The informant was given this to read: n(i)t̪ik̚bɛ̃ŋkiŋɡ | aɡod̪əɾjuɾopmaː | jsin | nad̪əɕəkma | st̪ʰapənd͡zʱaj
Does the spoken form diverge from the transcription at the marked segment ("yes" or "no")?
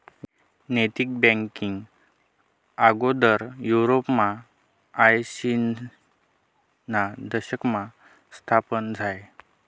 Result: yes